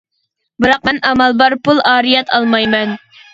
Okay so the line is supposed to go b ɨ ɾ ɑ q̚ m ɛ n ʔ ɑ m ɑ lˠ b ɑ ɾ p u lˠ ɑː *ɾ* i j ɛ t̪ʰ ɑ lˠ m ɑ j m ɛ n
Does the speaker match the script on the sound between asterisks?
yes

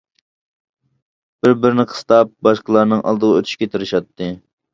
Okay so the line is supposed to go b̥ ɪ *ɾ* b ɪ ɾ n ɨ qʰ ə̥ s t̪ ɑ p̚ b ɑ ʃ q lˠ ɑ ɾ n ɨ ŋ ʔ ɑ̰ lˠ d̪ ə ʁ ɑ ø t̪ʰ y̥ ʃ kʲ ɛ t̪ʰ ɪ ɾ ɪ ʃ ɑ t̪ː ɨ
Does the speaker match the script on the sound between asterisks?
yes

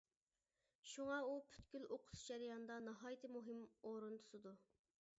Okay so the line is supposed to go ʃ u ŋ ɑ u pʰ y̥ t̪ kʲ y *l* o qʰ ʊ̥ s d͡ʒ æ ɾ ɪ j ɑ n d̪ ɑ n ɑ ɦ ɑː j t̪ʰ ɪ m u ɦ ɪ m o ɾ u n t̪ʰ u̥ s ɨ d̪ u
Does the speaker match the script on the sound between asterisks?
yes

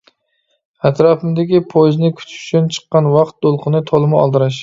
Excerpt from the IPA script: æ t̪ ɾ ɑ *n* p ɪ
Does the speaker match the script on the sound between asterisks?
no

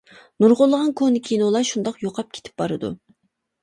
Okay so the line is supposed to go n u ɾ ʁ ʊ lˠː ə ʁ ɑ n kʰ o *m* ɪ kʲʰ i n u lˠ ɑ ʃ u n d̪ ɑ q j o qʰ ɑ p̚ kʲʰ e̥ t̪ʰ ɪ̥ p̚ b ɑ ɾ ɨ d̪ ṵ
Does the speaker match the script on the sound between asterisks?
no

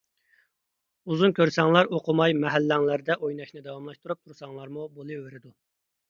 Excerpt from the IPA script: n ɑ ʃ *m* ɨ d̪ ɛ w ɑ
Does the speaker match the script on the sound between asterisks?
no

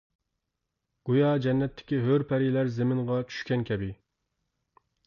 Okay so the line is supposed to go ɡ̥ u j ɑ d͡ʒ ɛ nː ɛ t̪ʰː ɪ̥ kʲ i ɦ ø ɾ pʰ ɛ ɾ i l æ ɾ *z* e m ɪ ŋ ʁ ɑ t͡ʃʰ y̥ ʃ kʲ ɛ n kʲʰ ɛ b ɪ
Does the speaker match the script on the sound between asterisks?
yes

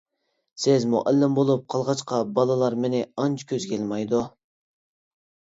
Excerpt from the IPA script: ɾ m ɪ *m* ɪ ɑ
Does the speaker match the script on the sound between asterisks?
no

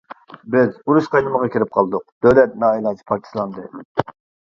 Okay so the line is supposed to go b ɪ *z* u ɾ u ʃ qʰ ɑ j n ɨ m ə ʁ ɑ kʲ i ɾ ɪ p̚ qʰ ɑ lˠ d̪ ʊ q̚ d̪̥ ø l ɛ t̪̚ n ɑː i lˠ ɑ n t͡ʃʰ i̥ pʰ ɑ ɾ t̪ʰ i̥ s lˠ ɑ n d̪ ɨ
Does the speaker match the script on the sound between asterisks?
yes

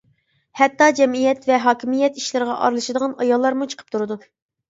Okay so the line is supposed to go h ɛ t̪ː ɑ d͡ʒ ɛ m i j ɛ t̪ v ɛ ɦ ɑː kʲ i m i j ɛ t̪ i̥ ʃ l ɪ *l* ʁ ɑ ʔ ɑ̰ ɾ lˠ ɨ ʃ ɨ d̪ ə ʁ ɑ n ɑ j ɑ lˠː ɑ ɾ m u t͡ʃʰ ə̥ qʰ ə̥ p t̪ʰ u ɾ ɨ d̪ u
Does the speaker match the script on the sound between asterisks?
no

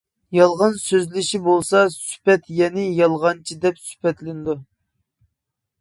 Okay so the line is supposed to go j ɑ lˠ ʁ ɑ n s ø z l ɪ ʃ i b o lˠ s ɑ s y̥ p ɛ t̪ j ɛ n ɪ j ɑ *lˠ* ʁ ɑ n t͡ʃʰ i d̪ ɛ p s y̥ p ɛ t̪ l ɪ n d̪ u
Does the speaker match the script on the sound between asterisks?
yes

